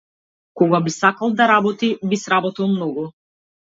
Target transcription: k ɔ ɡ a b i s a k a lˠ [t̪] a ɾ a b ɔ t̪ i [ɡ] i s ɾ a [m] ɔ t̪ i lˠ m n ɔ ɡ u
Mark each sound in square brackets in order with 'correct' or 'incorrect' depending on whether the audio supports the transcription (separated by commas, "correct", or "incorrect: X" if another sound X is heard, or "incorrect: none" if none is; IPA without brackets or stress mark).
incorrect: d̪, incorrect: b, incorrect: b